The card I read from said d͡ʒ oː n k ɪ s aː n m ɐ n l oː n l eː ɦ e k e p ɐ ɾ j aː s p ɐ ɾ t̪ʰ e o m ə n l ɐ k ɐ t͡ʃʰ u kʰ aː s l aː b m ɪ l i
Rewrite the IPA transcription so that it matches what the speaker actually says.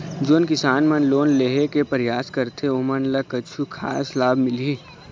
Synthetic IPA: d͡ʒ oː n k ɪ s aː n m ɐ n l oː n l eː ɦ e k e p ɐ ɾ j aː s k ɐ ɾ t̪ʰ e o m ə n l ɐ k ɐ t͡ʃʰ u kʰ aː s l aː b m ɪ l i